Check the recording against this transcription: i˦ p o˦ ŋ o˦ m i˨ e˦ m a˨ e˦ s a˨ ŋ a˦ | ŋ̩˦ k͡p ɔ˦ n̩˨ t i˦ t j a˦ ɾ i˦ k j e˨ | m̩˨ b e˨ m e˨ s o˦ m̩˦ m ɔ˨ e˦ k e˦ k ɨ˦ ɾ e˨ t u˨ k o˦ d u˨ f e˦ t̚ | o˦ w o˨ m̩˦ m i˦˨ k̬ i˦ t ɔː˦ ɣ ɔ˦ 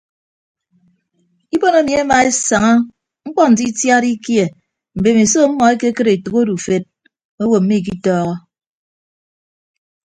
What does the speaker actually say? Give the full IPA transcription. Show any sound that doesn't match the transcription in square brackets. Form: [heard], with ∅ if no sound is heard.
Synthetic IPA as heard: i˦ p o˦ [n] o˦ m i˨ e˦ m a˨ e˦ s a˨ ŋ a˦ | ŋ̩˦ k͡p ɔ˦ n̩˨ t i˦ t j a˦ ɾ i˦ k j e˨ | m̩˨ b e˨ m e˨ s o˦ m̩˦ m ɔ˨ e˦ k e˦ k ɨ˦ ɾ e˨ t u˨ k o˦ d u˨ f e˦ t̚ | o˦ w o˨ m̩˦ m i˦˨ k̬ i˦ t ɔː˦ ɣ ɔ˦